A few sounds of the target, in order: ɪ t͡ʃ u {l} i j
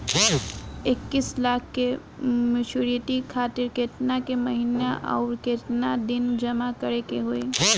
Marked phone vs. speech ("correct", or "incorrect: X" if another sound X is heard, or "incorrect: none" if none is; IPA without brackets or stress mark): incorrect: ɾ